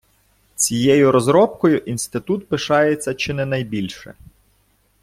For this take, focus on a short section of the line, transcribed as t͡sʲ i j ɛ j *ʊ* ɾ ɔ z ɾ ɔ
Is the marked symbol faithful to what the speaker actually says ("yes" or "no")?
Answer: yes